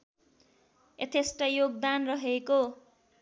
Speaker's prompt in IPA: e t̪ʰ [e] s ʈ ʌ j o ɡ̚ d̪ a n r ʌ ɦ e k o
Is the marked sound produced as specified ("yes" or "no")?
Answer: yes